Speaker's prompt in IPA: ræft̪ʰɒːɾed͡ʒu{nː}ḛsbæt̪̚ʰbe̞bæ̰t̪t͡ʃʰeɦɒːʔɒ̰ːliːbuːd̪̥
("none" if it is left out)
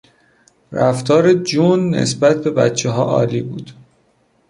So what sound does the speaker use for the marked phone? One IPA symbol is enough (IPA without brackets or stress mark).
nː